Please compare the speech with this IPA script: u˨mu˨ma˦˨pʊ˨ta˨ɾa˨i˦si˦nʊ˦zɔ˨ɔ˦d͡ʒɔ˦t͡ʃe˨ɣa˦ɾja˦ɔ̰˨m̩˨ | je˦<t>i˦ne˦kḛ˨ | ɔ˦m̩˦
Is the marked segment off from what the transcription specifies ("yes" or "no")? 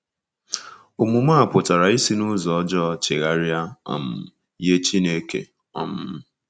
yes